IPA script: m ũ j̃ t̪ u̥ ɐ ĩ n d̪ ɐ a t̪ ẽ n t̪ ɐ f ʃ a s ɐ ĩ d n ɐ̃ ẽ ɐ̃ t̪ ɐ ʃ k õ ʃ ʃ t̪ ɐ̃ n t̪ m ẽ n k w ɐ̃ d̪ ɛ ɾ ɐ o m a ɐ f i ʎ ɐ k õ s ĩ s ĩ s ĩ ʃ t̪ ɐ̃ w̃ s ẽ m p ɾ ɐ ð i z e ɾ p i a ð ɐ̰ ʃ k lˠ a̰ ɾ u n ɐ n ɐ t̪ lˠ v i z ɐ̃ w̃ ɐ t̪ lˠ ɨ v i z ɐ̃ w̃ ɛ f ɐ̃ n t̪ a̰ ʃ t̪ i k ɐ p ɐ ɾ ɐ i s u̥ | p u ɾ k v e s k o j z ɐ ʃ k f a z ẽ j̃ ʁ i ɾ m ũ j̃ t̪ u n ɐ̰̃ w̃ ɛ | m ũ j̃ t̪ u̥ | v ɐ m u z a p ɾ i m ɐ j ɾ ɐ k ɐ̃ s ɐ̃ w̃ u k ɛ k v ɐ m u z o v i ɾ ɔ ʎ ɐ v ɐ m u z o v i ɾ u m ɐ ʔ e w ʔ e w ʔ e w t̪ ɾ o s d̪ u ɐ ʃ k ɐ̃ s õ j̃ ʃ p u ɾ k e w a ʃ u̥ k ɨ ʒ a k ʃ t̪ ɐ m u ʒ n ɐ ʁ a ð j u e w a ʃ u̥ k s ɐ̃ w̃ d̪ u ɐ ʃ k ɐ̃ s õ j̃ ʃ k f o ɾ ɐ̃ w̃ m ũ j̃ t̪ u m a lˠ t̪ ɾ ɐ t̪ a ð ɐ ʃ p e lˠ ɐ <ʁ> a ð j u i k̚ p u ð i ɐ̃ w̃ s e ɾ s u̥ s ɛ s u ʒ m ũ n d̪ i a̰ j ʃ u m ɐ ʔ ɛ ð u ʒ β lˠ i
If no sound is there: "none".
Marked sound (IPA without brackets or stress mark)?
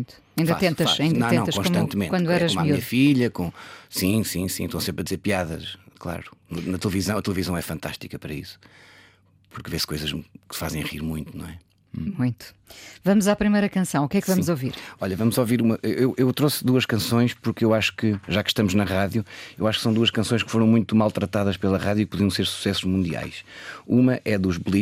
ʁ